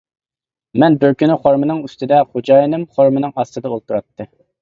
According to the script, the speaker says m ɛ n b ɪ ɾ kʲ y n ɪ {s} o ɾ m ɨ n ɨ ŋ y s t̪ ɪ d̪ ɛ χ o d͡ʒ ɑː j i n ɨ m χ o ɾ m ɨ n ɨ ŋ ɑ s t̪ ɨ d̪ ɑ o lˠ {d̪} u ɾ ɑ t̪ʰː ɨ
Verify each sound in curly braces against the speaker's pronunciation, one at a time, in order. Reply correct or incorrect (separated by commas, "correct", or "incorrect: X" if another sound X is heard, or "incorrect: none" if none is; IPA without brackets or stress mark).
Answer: incorrect: χ, incorrect: t̪